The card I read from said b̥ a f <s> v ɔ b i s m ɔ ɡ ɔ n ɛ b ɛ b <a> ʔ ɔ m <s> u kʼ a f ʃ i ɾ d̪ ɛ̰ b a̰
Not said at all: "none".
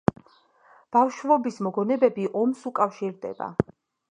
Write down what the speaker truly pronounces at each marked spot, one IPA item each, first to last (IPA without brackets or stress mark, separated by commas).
ʃ, i, s